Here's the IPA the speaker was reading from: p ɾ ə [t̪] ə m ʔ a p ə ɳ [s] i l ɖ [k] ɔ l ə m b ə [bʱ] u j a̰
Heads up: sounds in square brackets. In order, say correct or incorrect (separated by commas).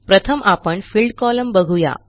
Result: incorrect, incorrect, correct, incorrect